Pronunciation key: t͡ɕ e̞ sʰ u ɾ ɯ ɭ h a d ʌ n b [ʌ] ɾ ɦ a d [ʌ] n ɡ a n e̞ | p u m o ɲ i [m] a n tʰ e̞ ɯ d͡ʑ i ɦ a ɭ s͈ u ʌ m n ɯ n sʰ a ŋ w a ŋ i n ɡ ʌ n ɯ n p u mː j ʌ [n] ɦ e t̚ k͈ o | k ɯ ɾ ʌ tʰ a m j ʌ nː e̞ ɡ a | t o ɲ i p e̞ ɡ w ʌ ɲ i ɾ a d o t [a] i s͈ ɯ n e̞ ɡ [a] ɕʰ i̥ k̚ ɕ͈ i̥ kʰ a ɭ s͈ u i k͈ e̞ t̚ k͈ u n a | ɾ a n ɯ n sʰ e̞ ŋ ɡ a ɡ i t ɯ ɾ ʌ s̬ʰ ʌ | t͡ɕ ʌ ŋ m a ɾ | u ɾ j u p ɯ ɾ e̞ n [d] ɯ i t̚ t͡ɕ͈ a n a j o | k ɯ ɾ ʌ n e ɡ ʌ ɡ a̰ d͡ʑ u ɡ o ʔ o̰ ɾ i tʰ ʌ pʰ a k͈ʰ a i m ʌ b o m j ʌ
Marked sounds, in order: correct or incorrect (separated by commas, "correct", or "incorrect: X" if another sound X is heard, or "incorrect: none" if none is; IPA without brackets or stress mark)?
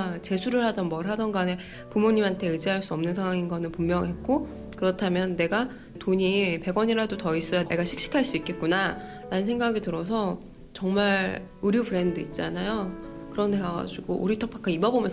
correct, correct, correct, incorrect: ŋ, incorrect: ʌ, correct, correct